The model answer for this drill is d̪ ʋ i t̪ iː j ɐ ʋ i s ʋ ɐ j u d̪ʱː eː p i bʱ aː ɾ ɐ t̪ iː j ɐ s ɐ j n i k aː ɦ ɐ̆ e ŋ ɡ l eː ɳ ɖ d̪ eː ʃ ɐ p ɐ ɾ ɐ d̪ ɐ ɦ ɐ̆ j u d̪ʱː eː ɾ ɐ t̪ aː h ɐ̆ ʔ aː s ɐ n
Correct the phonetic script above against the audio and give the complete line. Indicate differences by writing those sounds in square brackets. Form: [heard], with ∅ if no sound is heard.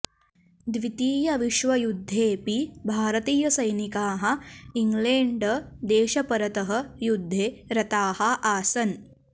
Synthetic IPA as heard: d̪ ʋ i t̪ iː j ɐ ʋ i [ʃ] ʋ ɐ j u d̪ʱː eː p i bʱ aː ɾ ɐ t̪ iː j ɐ s ɐ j n i k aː ɦ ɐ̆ [i] ŋ ɡ l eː ɳ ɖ d̪ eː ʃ ɐ p ɐ ɾ ɐ [t̪] ɐ ɦ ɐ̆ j u d̪ʱː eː ɾ ɐ t̪ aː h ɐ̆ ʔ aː s ɐ n